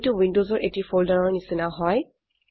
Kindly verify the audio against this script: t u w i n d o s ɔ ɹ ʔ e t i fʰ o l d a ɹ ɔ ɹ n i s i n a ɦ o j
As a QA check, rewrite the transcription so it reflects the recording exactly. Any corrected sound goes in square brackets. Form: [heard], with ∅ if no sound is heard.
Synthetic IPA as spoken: t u w i n d o [z] ɔ ɹ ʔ e t i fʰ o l d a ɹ ɔ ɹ n i s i n a ɦ [ɔ] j